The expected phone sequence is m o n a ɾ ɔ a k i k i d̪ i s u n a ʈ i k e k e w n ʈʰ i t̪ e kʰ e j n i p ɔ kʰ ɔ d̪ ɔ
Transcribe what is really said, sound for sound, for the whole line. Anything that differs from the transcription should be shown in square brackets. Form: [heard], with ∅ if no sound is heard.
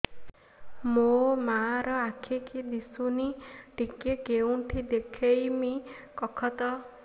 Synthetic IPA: m o [m] a ɾ ɔ a [kʰ] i k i d̪ i s u n [i] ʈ i k e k e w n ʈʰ i [d̪] e kʰ e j [m] i [k] ɔ kʰ ɔ [t̪] ɔ